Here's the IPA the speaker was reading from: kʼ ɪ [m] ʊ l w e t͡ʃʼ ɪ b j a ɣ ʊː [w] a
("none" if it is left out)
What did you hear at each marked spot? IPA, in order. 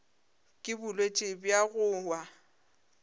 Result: b, w

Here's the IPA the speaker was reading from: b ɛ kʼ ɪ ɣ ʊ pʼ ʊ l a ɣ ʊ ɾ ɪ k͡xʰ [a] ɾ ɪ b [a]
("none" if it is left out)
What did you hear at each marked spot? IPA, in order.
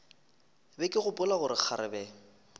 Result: a, ɛ

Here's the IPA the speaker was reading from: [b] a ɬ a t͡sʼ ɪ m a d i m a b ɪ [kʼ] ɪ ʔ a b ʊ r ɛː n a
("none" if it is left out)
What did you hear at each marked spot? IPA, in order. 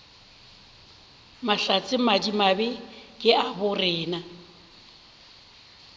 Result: m, kʼ

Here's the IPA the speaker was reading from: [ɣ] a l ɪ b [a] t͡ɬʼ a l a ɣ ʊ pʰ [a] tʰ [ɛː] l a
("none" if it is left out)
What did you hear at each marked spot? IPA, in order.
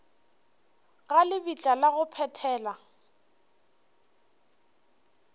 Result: ɣ, i, ɛ, ɛː

